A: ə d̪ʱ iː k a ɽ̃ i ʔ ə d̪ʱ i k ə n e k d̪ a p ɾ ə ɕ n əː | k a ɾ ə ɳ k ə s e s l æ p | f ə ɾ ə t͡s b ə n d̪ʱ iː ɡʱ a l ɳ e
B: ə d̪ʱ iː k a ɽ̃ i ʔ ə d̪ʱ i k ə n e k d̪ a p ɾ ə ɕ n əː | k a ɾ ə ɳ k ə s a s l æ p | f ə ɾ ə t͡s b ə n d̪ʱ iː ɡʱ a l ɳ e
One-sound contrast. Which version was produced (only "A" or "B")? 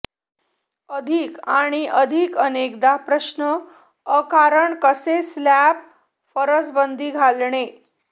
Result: A